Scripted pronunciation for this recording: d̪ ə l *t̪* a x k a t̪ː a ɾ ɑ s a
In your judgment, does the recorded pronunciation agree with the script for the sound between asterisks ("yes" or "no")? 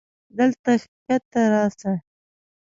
yes